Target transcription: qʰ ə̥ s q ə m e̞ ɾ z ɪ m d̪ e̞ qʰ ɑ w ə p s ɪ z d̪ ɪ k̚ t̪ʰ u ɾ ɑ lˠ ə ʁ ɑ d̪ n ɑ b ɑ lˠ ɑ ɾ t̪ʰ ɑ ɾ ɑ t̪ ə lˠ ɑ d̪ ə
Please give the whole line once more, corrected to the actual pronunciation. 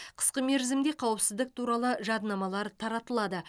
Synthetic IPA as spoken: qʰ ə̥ s q ə m e̞ ɾ z ɪ m d̪ e̞ qʰ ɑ w ə p s ɪ z d̪ ɪ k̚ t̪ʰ u ɾ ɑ lˠ ə ʒ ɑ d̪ n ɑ m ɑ lˠ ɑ ɾ t̪ʰ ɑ ɾ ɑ t̪ ə lˠ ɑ d̪ ə